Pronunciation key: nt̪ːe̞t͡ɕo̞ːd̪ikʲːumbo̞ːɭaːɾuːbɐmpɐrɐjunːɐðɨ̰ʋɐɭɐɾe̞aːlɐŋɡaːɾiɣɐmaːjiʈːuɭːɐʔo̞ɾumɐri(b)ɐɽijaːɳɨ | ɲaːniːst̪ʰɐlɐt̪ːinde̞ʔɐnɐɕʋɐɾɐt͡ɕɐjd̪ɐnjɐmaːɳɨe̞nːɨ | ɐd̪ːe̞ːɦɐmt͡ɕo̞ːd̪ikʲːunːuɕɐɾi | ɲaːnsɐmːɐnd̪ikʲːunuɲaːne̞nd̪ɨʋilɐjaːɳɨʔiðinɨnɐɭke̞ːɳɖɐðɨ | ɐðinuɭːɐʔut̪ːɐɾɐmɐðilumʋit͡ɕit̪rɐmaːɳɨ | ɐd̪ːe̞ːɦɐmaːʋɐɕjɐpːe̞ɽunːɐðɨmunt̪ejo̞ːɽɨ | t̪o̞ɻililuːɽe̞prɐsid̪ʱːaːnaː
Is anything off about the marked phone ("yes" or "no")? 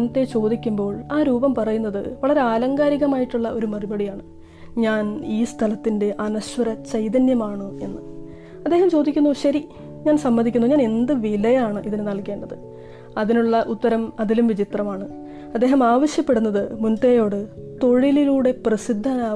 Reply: no